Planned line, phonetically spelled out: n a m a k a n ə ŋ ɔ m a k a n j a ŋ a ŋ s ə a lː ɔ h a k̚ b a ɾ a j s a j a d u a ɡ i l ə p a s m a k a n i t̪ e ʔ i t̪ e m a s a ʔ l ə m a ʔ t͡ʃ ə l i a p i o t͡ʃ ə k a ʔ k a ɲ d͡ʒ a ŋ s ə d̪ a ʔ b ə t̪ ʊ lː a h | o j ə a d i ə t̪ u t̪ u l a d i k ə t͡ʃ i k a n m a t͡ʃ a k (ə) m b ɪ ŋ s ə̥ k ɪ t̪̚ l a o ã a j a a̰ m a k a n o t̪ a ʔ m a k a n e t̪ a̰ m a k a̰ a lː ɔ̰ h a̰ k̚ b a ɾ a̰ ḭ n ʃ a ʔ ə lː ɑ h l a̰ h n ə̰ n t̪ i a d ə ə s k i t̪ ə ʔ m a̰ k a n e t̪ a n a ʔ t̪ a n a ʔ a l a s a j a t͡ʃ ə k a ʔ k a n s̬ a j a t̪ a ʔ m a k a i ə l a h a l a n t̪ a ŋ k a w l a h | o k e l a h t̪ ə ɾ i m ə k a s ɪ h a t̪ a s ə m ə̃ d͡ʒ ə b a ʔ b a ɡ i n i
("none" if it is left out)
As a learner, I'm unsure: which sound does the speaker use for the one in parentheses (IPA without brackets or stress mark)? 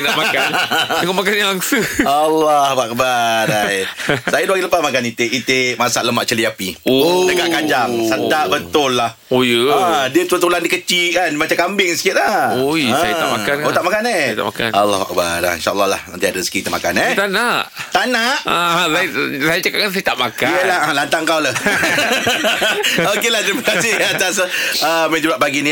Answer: a